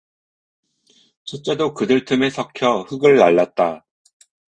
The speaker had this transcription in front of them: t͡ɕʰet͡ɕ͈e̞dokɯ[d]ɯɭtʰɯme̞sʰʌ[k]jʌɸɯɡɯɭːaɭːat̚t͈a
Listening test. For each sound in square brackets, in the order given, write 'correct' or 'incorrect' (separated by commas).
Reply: correct, incorrect